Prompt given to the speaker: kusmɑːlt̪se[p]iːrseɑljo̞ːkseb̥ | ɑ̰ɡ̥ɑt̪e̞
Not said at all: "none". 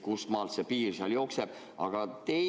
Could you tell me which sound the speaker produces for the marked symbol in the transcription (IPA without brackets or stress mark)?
p